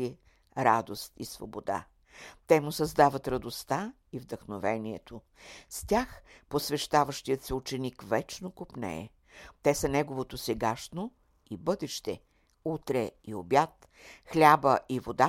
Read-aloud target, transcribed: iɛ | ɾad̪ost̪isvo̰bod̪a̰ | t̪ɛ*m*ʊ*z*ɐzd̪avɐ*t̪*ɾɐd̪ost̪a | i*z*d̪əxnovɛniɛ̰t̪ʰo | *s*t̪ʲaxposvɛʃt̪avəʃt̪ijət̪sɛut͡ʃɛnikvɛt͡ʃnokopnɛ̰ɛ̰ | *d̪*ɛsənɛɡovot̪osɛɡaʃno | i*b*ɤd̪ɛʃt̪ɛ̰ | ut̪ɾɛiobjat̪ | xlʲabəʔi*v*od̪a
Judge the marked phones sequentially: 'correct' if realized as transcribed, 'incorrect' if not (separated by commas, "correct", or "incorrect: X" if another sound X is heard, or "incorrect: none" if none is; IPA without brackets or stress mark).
correct, incorrect: s, correct, incorrect: v, correct, incorrect: t̪, correct, correct